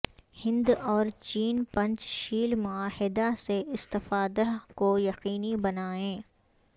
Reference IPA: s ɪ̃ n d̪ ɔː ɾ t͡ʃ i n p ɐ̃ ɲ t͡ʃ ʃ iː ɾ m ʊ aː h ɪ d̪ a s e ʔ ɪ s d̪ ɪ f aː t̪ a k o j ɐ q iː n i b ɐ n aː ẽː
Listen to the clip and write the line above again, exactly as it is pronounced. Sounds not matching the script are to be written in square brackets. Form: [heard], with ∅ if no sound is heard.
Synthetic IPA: [h] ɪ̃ n d̪ ɔː ɾ t͡ʃ [iː] n p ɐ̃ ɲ t͡ʃ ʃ iː [l] m ʊ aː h ɪ d̪ a s e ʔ ɪ s [t̪] ɪ f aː [d̪] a k o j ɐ q iː n i b ɐ n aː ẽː

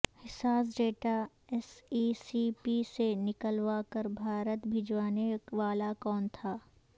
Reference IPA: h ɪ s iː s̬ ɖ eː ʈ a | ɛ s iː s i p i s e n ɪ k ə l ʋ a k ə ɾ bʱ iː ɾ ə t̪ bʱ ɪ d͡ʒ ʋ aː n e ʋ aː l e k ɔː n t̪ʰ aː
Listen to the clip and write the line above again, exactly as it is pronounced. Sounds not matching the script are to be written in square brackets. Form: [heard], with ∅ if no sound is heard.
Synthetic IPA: h ɪ s [aː] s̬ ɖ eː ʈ a | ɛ s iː s i p i s e n ɪ k ə l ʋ a k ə ɾ bʱ [aː] ɾ ə t̪ bʱ ɪ d͡ʒ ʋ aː n e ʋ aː l [a] k ɔː n t̪ʰ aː

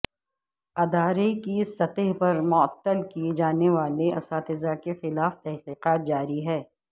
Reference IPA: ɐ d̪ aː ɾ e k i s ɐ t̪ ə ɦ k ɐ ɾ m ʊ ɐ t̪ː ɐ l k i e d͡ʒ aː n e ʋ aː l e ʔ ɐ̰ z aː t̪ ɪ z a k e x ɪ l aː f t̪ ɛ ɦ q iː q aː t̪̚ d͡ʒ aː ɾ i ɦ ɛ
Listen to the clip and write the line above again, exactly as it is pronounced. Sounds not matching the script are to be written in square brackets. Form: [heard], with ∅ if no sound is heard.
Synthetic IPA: ɐ d̪ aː ɾ e k i s ɐ t̪ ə ɦ [p] ɐ ɾ m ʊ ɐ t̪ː [ə] l k i e d͡ʒ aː n e ʋ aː l e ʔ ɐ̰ [s] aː t̪ ɪ z a k e x ɪ l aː f t̪ ɛ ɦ q iː q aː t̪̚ d͡ʒ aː ɾ i ɦ [ɛː]

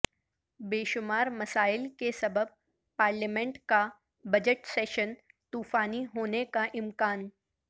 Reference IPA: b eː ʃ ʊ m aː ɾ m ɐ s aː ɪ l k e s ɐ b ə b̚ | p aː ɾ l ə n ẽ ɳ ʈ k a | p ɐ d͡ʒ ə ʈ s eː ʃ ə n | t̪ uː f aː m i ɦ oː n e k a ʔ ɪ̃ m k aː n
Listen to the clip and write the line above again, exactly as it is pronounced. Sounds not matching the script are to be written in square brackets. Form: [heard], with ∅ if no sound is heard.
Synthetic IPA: b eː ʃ ʊ m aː ɾ m ɐ s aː ɪ l k e s ɐ b ə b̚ | p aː ɾ l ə [m] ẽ ɳ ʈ k a | [b] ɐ d͡ʒ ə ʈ s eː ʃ ə n | t̪ uː f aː [n] i ɦ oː n e k a ʔ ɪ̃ m k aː n

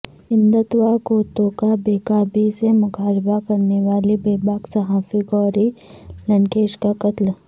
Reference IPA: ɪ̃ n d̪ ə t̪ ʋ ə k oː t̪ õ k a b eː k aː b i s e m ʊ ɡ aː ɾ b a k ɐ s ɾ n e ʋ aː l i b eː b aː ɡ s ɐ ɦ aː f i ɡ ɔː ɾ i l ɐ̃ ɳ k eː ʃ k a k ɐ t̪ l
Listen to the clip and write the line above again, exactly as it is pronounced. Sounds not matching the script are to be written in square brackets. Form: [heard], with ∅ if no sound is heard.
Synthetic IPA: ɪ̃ n d̪ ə t̪ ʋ [a] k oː t̪ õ k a b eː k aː b i s e m ʊ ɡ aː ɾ b a k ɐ [∅] ɾ n e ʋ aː l i b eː b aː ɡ s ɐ ɦ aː f i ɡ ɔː ɾ i l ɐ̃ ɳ k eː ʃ k a k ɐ t̪ l

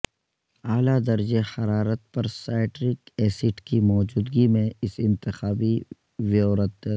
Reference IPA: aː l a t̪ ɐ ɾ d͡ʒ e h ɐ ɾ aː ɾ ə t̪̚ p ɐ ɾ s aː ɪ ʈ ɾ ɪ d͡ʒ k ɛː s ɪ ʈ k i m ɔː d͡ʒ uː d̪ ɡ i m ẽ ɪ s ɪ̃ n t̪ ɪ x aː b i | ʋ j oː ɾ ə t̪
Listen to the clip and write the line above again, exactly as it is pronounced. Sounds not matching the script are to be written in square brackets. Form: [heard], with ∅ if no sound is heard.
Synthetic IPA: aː l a [d̪] ɐ ɾ d͡ʒ e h ɐ ɾ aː ɾ ə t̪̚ p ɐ ɾ s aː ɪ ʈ ɾ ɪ [∅] k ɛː s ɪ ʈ k i m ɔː d͡ʒ uː d̪ ɡ i m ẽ ɪ s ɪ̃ n t̪ ɪ x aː b i | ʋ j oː ɾ ə t̪

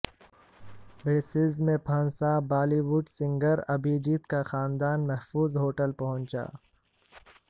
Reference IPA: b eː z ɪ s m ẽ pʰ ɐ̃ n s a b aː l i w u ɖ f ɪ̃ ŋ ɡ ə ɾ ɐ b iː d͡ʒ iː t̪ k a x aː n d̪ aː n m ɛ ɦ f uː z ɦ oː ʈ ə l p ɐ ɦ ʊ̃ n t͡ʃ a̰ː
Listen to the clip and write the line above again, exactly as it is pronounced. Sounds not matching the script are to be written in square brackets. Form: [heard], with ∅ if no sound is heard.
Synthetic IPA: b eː [s] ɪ [z] m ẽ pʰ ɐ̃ n s a b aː l i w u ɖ [s] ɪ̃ ŋ ɡ ə ɾ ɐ b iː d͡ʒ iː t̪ k a x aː n d̪ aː n m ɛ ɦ f uː z ɦ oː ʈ ə l p ɐ ɦ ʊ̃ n t͡ʃ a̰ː

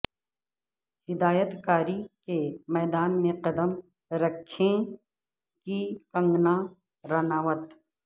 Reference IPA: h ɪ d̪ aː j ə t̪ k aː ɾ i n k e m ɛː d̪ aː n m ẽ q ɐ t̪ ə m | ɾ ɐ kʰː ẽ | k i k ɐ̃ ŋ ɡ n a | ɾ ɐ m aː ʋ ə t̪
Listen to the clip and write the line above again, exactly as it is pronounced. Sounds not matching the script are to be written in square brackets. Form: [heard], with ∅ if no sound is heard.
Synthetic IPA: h ɪ d̪ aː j ə t̪ k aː ɾ i [∅] k e m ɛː d̪ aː n m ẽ q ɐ [d̪] ə m | ɾ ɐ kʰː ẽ | k i k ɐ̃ ŋ ɡ n a | ɾ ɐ [n] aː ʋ ə t̪

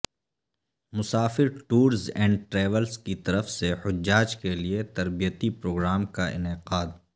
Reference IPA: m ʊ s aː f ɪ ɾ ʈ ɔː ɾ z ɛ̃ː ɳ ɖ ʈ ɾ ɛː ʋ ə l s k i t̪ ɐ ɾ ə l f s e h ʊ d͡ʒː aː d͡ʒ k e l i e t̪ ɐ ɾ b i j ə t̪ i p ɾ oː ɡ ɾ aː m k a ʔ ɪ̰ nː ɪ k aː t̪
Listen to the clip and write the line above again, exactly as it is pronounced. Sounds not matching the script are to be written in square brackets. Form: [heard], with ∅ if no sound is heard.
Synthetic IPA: m ʊ s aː f ɪ ɾ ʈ [uː] ɾ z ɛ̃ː ɳ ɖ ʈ ɾ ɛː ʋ ə l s k i t̪ ɐ ɾ ə [∅] f s e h ʊ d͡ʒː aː d͡ʒ k e l i e t̪ ɐ ɾ b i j ə t̪ i p ɾ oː ɡ ɾ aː m k a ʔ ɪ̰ [n] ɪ [q] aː [d̪]

